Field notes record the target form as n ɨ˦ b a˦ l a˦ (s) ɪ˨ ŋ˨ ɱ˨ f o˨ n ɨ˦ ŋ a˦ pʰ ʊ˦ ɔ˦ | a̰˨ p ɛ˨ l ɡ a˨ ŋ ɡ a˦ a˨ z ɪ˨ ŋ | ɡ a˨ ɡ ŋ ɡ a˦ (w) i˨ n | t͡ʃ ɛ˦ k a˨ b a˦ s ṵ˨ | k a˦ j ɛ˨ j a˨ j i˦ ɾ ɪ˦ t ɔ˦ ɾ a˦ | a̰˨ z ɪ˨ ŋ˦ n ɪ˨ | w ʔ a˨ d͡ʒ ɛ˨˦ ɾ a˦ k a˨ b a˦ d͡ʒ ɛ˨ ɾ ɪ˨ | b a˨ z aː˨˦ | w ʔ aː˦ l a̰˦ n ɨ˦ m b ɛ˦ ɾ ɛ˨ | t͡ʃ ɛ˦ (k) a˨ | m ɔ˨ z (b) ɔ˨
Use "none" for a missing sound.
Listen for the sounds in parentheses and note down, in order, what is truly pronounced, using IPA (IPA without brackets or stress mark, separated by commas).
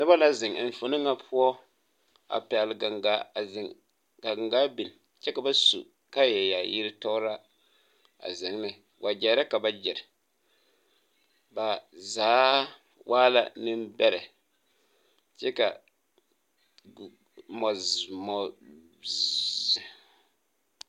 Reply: z, b, k, m